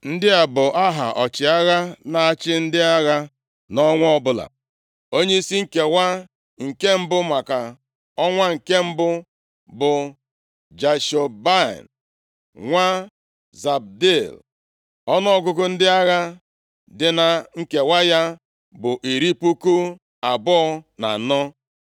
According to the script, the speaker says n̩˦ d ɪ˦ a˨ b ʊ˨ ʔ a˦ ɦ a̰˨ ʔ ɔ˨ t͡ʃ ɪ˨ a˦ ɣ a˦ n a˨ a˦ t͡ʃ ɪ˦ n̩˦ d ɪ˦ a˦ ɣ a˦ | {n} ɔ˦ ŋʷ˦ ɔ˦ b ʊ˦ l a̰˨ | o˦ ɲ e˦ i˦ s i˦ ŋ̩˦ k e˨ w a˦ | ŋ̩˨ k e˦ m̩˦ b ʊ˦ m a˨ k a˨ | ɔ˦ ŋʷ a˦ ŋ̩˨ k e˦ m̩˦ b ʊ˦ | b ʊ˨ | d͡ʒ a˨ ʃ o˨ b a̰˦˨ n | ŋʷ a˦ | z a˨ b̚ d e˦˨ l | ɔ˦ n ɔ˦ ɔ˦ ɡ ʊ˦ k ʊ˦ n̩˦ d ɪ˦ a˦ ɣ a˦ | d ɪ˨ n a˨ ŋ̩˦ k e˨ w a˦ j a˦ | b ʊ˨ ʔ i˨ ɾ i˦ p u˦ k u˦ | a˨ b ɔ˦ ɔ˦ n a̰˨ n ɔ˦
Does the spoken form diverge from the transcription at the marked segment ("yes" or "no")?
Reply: no